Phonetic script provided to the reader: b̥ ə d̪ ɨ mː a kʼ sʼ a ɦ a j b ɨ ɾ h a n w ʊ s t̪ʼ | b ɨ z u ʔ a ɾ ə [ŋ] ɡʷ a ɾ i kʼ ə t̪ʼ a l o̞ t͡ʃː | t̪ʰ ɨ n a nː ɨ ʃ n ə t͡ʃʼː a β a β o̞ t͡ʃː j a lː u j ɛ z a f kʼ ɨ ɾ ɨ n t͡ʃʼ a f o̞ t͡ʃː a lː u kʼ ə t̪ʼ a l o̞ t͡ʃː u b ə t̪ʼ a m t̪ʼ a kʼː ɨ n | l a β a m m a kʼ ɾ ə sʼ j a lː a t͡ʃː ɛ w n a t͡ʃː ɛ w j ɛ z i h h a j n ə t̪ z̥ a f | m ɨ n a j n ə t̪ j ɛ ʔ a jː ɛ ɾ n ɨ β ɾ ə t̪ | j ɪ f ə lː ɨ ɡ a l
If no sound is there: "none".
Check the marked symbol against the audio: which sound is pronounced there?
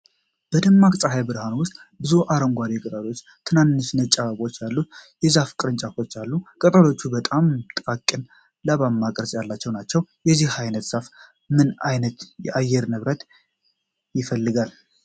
ŋ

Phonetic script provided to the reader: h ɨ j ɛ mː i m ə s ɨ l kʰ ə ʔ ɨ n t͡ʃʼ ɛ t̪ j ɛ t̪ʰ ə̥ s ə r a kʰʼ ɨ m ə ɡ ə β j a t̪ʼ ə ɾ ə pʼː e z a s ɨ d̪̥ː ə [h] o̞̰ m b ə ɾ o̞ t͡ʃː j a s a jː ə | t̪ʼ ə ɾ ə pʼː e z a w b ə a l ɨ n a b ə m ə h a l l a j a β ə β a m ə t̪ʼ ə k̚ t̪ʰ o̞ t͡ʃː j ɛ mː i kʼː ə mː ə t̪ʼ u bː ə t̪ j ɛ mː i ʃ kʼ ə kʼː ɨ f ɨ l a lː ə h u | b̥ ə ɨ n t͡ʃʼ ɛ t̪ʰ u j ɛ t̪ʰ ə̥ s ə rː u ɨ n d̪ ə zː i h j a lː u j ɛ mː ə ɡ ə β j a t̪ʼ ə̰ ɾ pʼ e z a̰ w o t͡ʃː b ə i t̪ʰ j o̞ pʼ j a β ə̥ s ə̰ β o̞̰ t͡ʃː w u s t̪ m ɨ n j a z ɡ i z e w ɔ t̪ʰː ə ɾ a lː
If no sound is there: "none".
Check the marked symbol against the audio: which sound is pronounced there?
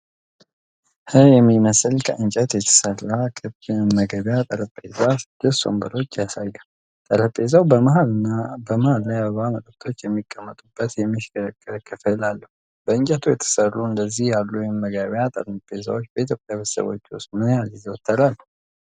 s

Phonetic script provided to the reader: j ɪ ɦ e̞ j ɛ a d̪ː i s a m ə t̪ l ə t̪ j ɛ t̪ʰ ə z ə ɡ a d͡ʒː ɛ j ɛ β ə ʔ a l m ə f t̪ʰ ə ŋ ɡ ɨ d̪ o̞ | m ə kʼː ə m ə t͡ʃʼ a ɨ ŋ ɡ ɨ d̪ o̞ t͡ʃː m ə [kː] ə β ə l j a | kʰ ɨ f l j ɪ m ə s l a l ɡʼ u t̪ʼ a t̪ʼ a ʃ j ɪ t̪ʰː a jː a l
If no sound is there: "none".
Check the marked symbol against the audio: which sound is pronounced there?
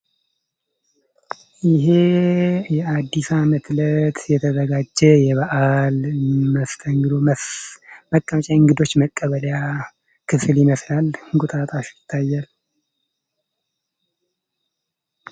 kʼː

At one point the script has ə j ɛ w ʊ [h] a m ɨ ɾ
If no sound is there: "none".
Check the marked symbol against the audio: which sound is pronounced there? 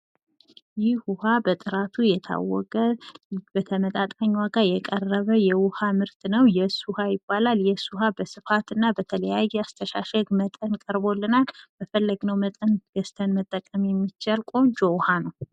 h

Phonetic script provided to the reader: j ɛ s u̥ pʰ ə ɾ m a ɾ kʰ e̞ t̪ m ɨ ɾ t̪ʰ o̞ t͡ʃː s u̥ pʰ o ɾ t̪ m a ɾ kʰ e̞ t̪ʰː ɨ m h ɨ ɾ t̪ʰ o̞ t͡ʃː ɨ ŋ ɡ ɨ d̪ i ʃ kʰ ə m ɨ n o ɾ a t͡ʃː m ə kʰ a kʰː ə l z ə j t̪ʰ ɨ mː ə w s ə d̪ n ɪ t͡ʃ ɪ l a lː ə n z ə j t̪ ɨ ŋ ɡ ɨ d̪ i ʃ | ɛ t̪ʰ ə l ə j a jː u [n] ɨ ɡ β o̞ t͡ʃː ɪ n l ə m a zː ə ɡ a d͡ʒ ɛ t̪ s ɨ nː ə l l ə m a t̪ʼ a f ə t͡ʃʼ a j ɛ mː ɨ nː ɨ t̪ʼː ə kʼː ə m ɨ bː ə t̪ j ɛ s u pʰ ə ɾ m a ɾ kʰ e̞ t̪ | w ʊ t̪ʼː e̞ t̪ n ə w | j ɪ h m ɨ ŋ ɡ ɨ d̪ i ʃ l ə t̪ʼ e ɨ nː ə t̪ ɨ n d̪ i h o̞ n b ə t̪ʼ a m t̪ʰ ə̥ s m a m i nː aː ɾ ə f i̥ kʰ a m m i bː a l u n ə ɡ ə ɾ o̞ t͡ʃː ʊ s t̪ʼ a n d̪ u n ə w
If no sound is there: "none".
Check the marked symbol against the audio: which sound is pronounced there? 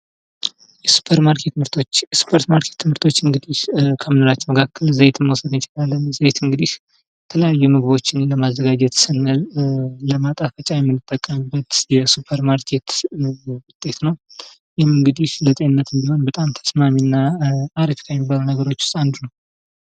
m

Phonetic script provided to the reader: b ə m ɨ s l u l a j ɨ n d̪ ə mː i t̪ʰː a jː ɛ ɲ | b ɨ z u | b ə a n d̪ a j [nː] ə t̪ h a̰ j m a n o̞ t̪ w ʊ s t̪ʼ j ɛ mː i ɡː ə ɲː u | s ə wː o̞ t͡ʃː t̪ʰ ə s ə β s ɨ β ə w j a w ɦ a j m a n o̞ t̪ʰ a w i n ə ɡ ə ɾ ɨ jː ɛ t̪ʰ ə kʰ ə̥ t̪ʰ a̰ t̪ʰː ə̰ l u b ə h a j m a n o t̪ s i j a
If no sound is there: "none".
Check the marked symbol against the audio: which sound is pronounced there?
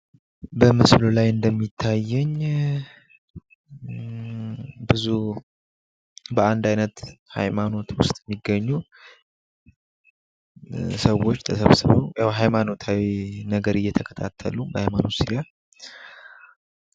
n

